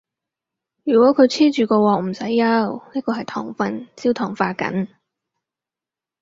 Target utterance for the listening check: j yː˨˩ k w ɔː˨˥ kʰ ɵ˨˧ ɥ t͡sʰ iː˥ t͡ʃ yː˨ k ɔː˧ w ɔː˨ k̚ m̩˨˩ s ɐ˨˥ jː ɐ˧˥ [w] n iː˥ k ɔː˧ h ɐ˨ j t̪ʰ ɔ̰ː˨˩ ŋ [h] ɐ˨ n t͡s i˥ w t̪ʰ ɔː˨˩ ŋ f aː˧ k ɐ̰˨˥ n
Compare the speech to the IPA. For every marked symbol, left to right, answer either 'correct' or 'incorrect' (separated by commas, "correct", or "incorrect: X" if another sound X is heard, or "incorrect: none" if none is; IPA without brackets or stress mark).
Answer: correct, incorrect: f